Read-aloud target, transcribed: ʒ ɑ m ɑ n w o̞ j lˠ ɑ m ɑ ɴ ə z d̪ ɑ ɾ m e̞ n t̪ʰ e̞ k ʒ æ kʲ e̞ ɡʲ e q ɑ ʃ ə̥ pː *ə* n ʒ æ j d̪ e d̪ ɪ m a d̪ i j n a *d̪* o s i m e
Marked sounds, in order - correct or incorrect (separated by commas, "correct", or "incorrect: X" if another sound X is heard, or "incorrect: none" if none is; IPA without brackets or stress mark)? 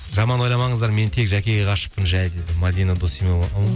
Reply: correct, correct